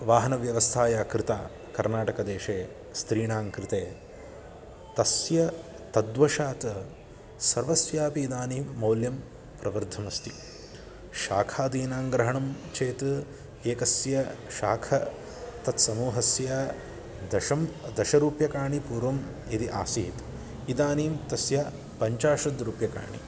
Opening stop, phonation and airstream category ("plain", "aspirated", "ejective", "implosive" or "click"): aspirated